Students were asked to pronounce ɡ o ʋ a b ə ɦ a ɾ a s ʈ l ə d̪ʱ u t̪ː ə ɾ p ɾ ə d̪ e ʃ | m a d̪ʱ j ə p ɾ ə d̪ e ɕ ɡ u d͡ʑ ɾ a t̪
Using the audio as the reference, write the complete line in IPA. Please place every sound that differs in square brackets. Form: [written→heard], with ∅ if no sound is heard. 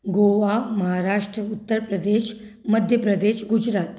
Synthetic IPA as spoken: ɡ o ʋ a [b→m] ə ɦ a ɾ a [s→ʂ] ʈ [l→ɾ] ə [d̪ʱ→∅] u t̪ː ə ɾ p ɾ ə d̪ e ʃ | m [a→ə] d̪ʱ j ə p ɾ ə d̪ e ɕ ɡ u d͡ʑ ɾ a t̪